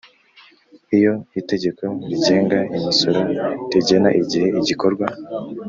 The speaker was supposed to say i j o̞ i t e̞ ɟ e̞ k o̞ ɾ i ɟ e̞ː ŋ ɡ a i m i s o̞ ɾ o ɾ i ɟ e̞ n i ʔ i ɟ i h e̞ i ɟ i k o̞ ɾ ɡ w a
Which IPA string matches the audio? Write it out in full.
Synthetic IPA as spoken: i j o̞ i t e̞ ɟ e̞ k o̞ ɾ i ɟ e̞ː ŋ ɡ a i m i s o̞ ɾ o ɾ i ɟ e̞ n a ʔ i ɟ i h e̞ i ɟ i k o̞ ɾ ɡ w a